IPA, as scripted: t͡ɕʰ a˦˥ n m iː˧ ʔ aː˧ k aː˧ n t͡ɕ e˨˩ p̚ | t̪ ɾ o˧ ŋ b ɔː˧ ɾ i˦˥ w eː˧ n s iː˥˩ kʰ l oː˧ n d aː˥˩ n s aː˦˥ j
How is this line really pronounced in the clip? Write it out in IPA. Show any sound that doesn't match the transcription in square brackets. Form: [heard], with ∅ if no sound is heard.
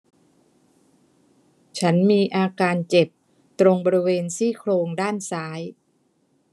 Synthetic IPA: t͡ɕʰ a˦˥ n m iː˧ ʔ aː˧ k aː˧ n t͡ɕ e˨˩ p̚ | t̪ ɾ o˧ ŋ b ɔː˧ ɾ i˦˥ w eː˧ n s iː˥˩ kʰ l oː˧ [ŋ] d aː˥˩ n s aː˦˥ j